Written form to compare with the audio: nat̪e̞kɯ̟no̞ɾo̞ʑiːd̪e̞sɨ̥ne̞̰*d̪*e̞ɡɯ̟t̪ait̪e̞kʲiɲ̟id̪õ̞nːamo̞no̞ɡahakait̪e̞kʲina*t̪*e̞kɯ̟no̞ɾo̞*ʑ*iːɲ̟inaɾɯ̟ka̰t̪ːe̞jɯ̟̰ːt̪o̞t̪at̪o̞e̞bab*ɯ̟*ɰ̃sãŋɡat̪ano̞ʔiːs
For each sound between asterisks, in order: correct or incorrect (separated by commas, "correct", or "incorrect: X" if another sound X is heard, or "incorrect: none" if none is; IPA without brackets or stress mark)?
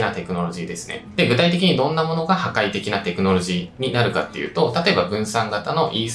correct, correct, correct, incorrect: ɯ̟̃